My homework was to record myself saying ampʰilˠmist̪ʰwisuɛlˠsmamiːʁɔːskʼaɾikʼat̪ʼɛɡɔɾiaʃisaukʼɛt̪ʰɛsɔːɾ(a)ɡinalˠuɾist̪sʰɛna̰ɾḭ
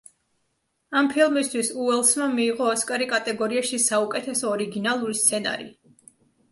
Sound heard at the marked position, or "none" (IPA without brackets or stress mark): i